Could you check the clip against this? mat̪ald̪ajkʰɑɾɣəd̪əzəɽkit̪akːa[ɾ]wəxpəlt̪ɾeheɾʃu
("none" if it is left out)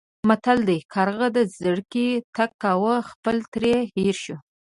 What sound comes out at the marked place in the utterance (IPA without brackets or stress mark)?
none